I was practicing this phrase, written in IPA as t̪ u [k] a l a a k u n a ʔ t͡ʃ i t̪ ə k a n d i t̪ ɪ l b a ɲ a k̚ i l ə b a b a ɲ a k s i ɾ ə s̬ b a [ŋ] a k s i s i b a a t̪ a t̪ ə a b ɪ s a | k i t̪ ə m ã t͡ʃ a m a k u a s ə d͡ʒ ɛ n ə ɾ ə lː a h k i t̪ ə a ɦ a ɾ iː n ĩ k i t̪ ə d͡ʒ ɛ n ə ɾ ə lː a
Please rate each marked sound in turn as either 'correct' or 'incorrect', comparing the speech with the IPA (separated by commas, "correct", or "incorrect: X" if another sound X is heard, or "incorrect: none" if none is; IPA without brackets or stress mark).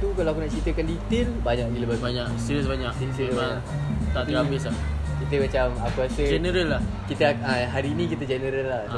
correct, incorrect: ɲ